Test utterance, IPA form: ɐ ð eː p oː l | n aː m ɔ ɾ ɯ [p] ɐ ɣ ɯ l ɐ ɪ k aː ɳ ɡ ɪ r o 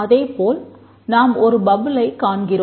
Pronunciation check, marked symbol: incorrect: b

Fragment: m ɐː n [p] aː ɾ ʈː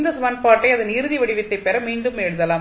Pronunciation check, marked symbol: correct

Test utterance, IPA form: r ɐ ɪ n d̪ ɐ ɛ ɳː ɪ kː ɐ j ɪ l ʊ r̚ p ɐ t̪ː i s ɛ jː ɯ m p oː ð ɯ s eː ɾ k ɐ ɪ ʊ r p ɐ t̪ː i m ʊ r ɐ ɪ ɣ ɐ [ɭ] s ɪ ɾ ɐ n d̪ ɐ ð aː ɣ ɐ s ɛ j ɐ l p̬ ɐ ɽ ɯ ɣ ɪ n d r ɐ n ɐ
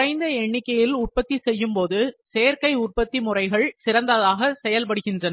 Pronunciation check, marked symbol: correct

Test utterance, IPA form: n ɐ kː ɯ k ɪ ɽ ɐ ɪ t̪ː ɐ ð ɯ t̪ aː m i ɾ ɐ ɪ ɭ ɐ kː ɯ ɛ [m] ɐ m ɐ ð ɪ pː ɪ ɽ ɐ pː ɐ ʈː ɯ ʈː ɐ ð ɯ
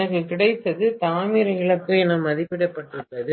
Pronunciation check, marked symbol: incorrect: n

